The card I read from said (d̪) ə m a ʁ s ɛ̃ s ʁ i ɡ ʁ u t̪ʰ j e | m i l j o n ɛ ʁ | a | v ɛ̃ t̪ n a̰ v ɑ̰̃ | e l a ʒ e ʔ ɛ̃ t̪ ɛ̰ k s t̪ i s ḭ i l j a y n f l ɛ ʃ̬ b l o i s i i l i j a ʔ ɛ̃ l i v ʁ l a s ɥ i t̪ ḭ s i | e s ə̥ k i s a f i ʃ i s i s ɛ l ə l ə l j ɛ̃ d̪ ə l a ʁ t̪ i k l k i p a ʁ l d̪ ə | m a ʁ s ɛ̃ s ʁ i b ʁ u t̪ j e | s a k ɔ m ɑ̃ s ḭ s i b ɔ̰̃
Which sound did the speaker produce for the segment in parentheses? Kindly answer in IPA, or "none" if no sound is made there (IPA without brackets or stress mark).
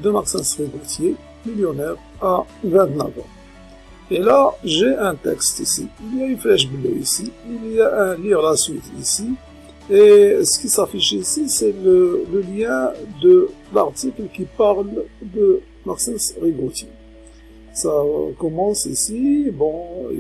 d̪